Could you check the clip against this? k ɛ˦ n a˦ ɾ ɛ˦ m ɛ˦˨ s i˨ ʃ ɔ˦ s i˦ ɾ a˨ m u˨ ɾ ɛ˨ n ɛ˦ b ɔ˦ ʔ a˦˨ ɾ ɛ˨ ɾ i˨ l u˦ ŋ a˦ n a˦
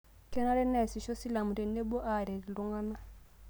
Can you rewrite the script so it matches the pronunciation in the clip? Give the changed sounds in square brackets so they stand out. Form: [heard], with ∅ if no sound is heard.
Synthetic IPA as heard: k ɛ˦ n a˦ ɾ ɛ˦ [n] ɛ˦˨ s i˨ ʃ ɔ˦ s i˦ [l] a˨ m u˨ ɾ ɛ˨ n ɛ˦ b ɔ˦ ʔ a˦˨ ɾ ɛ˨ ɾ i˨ l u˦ ŋ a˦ n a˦